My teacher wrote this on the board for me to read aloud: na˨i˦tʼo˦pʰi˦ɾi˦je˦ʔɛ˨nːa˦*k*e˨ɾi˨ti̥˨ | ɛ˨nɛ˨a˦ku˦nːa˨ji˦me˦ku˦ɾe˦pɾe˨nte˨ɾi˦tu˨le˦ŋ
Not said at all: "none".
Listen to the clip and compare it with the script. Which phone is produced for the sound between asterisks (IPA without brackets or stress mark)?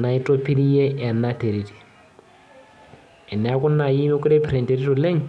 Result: t